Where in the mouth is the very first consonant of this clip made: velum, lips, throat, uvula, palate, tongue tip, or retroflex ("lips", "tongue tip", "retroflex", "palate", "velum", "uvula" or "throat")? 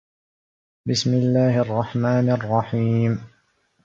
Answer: lips